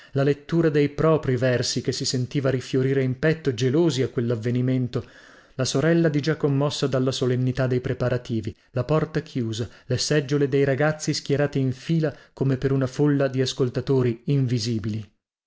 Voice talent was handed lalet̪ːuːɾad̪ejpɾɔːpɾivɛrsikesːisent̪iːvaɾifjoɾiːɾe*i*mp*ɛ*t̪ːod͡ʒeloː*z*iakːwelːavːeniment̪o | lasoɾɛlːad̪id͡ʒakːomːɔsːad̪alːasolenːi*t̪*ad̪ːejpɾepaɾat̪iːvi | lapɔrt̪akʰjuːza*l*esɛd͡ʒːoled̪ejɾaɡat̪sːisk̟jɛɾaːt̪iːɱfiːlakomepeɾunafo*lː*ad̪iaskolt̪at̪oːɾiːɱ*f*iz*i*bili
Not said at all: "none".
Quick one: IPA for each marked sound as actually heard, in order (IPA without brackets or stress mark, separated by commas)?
i, ɛ, z, t̪, l, lː, v, iː